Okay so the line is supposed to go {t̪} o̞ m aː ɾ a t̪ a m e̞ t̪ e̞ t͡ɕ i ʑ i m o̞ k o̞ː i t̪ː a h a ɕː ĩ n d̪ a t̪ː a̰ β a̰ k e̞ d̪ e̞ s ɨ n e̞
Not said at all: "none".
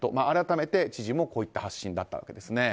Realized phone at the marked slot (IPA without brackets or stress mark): t̪